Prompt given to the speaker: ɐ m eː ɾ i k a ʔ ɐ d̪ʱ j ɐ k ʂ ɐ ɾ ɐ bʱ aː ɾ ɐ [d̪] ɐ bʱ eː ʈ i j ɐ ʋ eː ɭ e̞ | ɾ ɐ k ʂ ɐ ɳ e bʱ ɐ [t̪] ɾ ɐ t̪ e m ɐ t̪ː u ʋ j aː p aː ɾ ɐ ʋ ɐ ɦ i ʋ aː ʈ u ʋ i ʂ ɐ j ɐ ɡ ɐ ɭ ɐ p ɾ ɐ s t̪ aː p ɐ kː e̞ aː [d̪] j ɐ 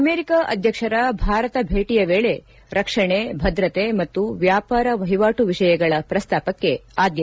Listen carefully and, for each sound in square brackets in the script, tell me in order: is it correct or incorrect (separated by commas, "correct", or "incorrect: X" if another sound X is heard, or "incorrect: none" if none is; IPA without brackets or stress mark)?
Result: incorrect: t̪, incorrect: d̪, correct